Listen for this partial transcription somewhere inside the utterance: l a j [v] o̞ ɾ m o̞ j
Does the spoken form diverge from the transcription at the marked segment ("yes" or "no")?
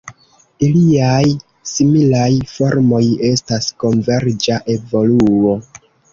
yes